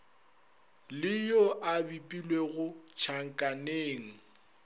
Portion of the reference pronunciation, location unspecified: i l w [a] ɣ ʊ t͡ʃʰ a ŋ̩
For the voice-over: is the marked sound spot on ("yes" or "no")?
no